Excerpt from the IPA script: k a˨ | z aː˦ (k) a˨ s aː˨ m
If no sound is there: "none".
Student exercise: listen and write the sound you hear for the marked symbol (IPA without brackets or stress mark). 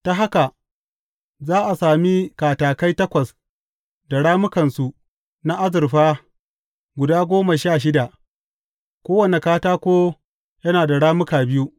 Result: ʔ